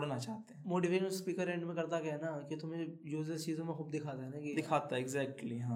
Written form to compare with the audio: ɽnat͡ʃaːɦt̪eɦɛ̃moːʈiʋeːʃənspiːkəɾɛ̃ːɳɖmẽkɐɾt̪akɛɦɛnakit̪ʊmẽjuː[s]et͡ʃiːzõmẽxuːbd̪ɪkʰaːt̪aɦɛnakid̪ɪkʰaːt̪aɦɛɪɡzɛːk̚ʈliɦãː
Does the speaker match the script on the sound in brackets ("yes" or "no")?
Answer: no